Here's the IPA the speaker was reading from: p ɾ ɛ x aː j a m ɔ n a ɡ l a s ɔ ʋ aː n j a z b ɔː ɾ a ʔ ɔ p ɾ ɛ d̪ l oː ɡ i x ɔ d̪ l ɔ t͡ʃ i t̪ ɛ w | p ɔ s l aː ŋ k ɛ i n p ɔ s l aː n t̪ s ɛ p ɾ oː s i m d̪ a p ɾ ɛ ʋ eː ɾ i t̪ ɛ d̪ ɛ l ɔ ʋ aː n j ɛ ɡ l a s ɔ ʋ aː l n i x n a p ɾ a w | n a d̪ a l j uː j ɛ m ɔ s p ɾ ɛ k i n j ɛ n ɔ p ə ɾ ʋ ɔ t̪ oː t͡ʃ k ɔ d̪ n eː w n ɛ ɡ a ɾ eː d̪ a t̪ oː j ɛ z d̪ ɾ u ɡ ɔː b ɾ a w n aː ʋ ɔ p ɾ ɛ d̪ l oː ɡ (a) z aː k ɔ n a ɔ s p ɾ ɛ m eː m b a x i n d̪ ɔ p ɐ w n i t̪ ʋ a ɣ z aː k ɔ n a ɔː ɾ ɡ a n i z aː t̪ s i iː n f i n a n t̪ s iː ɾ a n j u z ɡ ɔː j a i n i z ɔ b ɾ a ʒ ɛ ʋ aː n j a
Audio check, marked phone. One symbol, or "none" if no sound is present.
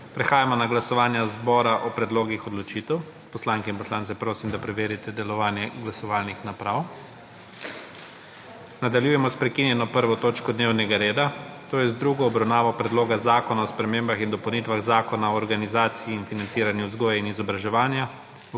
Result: a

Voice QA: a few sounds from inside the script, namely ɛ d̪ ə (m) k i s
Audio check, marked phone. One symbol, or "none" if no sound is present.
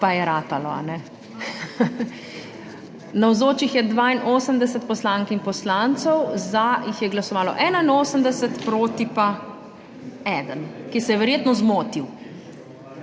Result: n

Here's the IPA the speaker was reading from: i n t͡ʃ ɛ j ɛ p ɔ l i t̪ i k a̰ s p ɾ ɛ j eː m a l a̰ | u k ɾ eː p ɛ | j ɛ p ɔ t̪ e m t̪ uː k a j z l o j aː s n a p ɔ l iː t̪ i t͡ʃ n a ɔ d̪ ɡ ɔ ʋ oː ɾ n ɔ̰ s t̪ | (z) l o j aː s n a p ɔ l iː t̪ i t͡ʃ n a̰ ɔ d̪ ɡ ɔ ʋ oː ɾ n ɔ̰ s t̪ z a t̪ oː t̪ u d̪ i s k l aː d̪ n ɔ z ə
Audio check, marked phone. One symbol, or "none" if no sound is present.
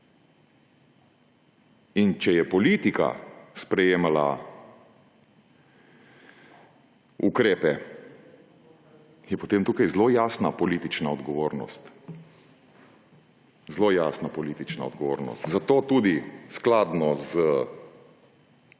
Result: z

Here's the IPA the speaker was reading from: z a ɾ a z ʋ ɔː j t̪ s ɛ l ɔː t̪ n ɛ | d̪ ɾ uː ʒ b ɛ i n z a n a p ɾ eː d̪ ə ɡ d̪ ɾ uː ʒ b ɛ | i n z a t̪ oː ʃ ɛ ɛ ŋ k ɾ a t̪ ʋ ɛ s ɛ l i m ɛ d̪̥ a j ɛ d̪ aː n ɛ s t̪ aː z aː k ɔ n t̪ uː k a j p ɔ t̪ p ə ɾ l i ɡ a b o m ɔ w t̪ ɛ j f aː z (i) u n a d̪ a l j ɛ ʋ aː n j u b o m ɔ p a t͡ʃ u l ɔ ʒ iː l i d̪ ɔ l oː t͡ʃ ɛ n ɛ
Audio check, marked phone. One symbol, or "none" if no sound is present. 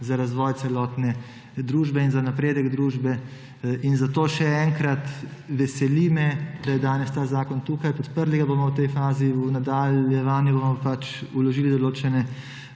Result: i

